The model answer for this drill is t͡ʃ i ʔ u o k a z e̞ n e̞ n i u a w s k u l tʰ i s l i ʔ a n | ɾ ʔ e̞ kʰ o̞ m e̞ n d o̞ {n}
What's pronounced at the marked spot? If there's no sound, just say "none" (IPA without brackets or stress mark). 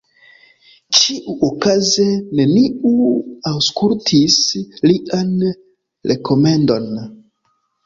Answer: n